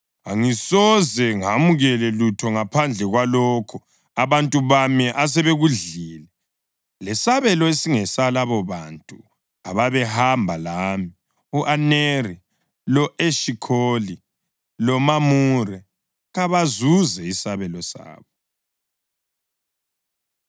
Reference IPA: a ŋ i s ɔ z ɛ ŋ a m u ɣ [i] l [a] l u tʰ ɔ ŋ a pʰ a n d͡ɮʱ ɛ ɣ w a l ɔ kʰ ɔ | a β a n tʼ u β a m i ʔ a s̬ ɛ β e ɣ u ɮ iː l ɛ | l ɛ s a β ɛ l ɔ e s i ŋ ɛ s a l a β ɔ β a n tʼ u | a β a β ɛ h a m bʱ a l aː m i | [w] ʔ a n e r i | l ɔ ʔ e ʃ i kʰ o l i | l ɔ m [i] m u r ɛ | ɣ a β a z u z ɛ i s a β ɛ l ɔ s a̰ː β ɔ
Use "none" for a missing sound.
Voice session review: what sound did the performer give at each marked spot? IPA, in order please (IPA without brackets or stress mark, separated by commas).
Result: ɛ, ɛ, u, a